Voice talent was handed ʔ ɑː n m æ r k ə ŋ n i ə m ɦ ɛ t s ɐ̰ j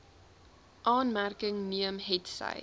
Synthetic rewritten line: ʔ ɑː n m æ r k ə ŋ n i ə m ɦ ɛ t s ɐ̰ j